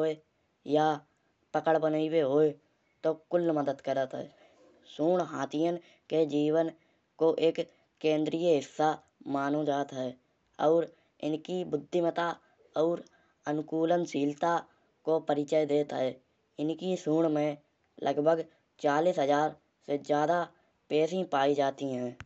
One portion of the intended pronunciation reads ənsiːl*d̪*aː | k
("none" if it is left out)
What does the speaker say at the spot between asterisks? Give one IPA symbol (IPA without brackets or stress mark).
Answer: t̪